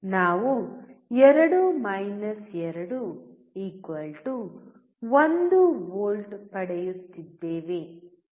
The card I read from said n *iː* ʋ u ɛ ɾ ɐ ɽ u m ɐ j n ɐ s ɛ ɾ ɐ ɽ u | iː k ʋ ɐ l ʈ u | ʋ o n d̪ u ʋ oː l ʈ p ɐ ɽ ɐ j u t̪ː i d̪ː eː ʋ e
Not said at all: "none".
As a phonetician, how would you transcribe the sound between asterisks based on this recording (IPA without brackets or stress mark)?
aː